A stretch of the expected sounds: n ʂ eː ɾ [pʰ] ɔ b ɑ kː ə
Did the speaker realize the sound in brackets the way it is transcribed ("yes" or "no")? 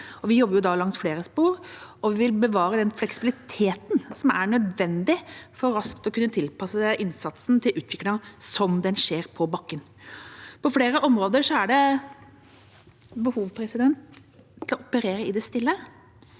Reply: yes